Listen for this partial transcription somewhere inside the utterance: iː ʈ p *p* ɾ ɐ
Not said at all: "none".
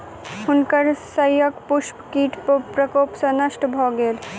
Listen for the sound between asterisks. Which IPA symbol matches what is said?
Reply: p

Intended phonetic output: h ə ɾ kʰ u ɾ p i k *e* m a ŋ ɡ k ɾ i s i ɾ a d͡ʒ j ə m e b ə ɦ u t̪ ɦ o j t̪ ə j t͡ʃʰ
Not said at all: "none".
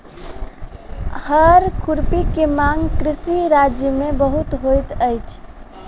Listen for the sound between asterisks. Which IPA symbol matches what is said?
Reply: e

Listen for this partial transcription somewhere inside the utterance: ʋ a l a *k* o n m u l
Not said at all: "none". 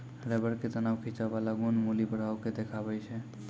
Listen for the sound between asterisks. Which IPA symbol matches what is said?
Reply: ɡ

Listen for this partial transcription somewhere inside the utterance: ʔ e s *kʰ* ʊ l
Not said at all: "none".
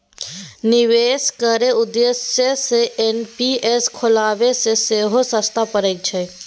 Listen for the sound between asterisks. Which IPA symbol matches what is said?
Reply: kʰ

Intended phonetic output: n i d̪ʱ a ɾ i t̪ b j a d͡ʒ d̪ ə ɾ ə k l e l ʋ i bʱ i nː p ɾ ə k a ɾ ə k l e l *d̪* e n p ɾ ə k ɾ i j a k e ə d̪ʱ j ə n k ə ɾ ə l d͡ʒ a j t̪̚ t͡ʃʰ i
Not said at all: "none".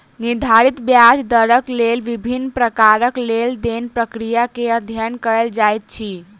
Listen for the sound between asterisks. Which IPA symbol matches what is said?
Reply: d̪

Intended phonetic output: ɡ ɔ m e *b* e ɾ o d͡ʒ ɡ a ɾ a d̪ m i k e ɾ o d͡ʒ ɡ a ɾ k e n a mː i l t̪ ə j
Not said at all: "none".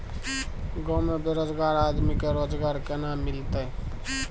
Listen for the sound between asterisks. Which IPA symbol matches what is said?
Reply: b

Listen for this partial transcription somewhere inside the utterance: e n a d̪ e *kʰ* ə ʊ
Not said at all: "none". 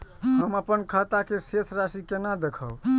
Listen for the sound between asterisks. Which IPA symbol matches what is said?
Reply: kʰ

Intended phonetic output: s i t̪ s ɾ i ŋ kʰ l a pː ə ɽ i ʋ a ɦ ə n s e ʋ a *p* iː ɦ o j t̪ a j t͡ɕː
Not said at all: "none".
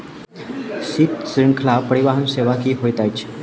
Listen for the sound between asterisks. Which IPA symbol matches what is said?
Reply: k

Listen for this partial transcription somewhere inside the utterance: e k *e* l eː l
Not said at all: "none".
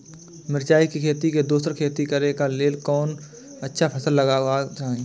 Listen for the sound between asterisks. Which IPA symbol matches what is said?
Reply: a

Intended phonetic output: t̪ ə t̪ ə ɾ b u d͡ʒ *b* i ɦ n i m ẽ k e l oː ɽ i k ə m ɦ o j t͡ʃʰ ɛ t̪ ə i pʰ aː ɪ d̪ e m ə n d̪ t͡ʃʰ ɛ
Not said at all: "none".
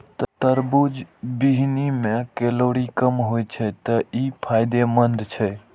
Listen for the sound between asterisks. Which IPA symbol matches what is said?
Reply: b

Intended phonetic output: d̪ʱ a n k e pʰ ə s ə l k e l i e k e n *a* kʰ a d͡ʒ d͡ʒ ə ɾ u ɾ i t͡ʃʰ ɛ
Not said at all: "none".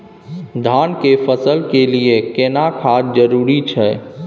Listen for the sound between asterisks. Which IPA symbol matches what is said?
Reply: a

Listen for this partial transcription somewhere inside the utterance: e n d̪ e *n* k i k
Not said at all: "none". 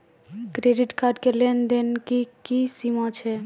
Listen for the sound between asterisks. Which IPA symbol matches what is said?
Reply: n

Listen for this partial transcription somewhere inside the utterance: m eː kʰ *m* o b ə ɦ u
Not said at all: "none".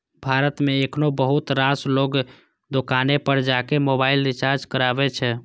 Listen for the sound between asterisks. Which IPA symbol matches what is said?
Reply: n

